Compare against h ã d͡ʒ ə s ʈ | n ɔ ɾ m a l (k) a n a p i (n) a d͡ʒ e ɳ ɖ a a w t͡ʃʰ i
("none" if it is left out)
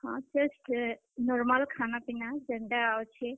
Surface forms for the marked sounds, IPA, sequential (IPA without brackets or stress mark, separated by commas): kʰ, n